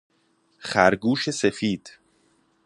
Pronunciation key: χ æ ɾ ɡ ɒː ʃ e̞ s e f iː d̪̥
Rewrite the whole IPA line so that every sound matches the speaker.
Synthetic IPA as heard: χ æ ɾ ɡ uː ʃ e̞ s e f iː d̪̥